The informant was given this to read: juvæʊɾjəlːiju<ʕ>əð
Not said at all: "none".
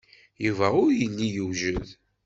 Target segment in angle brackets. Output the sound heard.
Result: ʒ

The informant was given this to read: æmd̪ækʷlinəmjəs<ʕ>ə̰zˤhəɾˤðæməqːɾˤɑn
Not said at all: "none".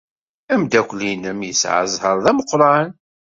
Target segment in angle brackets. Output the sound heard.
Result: ʕ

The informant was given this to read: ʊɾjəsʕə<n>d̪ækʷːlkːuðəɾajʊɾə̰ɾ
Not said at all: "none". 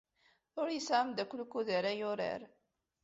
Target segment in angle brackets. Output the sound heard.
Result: m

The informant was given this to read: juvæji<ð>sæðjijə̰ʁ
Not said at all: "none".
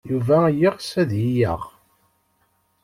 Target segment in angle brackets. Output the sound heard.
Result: ʁ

